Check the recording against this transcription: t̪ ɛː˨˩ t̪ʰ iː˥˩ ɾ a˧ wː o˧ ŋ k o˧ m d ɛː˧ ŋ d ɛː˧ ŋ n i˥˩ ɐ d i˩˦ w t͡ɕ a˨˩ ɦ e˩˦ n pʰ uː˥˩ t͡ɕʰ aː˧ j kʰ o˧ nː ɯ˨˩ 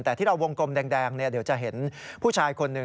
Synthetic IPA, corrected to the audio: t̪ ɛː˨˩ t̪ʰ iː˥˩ ɾ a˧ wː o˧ ŋ k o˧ m d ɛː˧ ŋ d ɛː˧ ŋ n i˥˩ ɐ d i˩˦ w t͡ɕ a˨˩ ɦ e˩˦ n pʰ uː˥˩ t͡ɕʰ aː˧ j kʰ o˧ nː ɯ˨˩